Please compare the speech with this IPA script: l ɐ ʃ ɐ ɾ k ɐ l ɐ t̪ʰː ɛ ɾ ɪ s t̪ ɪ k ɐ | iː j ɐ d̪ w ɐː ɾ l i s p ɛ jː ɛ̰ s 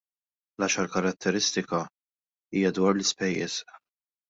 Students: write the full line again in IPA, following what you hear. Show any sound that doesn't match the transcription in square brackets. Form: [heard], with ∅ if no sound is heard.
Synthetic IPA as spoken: l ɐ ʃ ɐ ɾ k ɐ [ɾ] ɐ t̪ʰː ɛ ɾ ɪ s t̪ ɪ k ɐ | iː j ɐ d̪ w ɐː ɾ l [ɪ] s p ɛ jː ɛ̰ s